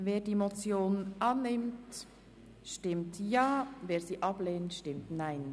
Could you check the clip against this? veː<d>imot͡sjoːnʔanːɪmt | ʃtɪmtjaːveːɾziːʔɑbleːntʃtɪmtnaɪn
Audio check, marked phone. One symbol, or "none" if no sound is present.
d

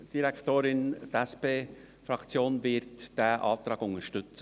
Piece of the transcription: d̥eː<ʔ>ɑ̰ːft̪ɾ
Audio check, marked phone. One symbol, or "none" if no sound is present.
ʔ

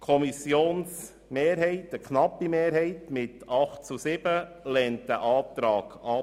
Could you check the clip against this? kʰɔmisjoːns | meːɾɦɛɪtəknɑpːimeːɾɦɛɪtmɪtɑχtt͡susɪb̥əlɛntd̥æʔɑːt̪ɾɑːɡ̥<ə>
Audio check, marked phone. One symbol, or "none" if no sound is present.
ɑ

